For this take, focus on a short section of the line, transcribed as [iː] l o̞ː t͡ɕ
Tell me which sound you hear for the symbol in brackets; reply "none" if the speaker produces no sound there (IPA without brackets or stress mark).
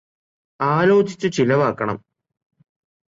aː